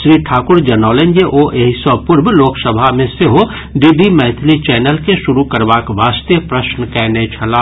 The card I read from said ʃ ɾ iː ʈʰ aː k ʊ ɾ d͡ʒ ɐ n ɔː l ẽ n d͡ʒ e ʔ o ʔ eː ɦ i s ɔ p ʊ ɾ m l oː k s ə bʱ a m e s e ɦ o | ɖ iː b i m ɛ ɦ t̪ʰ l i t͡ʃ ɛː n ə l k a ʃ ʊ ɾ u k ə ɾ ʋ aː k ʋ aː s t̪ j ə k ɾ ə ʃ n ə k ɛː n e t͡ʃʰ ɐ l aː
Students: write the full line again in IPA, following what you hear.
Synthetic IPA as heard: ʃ ɾ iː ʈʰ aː k ʊ ɾ d͡ʒ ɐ n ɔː l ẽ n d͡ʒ e ʔ o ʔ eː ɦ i s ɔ p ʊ ɾ b l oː k s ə bʱ a m ẽ s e ɦ o | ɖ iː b i m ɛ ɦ t̪ʰ l i t͡ʃ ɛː n ə l k e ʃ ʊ ɾ u k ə ɾ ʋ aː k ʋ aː s t̪ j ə p ɾ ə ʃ n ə k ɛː n e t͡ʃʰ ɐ l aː

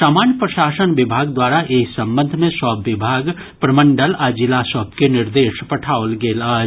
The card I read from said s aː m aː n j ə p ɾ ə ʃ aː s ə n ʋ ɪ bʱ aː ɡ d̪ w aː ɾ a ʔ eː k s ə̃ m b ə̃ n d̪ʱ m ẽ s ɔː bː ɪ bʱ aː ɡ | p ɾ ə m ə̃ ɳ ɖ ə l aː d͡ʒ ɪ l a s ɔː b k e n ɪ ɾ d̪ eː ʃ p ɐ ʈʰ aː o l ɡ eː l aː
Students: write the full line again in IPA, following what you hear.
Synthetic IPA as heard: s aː m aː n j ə p ɾ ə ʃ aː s ə n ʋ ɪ bʱ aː ɡ d̪ w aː ɾ a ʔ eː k s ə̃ m b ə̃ n d̪ʱ m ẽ s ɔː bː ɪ bʱ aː ɡ | p ɾ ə m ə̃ ɳ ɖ ə l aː d͡ʒ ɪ l a s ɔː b k e n ɪ ɾ d̪ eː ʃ p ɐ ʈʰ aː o l ɡ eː l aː

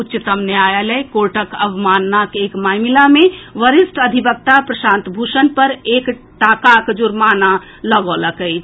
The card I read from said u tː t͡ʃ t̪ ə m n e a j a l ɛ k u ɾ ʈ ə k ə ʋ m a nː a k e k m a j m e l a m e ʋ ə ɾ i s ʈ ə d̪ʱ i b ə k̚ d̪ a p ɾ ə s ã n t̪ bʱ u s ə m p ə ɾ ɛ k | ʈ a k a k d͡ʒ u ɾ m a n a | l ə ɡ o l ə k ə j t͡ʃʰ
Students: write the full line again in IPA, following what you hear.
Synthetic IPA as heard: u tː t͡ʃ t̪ ə m n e a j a l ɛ k o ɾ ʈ ə k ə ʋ m a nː a k e k m a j m i l a m e ʋ ə ɾ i s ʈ ə d̪ʱ i b ə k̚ t̪ a p ɾ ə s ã n t̪ bʱ u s ə n p ə ɾ e k | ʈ a k a k d͡ʒ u ɾ m a n a | l ə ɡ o l ə k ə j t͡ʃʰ

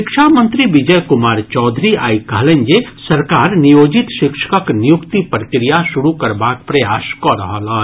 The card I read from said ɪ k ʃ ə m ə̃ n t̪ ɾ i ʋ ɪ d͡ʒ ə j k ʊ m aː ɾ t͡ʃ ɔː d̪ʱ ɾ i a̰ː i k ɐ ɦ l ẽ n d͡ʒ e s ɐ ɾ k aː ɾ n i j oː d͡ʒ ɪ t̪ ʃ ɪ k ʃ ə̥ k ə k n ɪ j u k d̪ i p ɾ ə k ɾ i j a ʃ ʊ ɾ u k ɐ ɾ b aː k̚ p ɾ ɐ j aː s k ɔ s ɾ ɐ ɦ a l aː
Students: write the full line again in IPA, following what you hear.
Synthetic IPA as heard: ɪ k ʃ a m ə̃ n t̪ ɾ i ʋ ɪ d͡ʒ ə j k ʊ m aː ɾ t͡ʃ ɔː d̪ʱ ɾ i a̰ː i k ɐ ɦ l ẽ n d͡ʒ e s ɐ ɾ k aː ɾ n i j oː d͡ʒ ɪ t̪ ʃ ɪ k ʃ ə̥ k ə k n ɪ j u k t̪ i p ɾ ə k ɾ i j a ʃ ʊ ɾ u k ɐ ɾ b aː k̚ p ɾ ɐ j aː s k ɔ ɾ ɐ ɦ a l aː

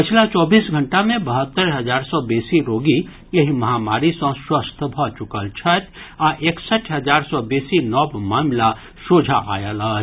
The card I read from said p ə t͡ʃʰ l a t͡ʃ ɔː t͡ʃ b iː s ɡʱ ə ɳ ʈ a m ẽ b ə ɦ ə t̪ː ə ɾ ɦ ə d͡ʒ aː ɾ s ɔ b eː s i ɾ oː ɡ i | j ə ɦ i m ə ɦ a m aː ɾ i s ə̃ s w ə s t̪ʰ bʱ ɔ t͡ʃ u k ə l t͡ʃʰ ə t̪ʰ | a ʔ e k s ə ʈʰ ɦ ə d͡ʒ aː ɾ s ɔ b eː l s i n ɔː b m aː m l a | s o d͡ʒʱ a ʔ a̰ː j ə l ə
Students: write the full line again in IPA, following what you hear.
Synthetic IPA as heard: p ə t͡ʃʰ l a t͡ʃ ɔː b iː s ɡʱ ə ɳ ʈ a m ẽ b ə ɦ ə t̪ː ə ɾ ɦ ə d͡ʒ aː ɾ s ɔ b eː s i ɾ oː ɡ i | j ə ɦ i m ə ɦ a m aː ɾ i s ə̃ s w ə s t̪ʰ bʱ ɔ t͡ʃ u k ə l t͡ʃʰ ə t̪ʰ | a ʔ e k s ə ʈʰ ɦ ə d͡ʒ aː ɾ s ɔ b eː s i n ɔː b m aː m l a | s o d͡ʒʱ a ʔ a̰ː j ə l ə

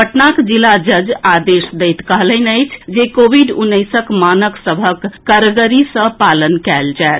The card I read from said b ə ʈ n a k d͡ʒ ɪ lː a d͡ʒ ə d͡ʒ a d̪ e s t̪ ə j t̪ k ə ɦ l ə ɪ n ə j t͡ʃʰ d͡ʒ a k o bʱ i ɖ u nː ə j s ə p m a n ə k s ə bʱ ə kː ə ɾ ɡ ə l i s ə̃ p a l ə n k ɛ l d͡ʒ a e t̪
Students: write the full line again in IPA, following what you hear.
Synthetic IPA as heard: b ə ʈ n a k d͡ʒ i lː a d͡ʒ ə d͡ʒ a d̪ e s d̪ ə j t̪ k ə ɦ l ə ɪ n ə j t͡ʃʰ d͡ʒ e k o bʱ i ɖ u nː ə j s ə k m a n ə k s ə bʱ ə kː ə ɾ ɡ ə ɾ i s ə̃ p a l ə n k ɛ l d͡ʒ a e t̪

